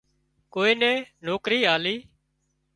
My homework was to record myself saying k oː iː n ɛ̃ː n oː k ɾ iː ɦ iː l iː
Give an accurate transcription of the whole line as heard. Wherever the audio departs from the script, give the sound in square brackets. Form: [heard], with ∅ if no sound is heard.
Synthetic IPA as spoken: k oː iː n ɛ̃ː n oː k ɾ iː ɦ [aː] l iː